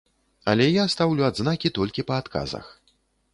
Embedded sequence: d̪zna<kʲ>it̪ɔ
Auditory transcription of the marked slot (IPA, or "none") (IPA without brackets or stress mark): kʲ